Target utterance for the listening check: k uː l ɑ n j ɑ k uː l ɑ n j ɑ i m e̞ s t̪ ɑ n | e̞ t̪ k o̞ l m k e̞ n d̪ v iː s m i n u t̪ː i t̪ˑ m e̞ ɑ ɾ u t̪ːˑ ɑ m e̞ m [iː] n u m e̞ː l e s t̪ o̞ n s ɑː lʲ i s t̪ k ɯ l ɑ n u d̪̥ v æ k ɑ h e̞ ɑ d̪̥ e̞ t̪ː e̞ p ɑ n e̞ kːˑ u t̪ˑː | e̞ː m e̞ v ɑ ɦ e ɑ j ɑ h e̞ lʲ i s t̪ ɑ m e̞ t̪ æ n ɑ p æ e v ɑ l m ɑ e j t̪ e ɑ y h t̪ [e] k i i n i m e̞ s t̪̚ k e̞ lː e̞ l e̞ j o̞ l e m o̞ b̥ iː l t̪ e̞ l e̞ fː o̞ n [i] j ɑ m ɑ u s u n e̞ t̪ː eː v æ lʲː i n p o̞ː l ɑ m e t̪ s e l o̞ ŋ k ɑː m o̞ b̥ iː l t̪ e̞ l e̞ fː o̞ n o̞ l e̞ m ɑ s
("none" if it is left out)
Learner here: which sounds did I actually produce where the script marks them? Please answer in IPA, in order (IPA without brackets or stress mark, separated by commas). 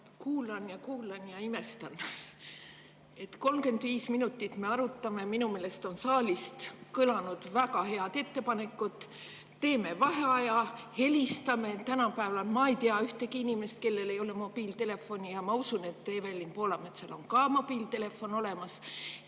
i, e, i